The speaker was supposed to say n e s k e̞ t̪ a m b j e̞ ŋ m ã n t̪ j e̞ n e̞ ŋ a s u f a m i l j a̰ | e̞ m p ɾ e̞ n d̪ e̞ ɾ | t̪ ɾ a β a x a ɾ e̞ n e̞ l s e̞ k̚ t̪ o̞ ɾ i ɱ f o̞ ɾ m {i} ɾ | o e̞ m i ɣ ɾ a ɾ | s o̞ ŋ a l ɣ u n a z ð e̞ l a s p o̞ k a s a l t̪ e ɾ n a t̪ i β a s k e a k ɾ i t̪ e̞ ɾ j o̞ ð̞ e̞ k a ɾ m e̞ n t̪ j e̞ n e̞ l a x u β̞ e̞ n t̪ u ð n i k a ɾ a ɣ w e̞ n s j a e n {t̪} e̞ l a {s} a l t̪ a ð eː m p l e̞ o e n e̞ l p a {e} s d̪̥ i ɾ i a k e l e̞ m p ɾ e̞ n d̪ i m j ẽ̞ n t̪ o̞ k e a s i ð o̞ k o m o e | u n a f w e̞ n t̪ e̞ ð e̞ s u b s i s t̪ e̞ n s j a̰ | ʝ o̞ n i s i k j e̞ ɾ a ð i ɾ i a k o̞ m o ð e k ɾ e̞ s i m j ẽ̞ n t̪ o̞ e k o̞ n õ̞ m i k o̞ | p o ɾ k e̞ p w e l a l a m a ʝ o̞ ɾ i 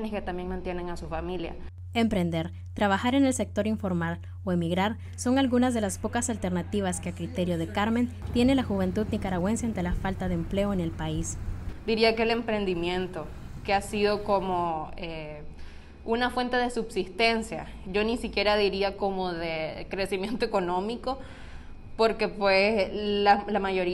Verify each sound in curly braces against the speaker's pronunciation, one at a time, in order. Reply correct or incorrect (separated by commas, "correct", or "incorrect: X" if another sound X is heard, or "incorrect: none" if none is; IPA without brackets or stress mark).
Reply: incorrect: a, correct, incorrect: f, incorrect: i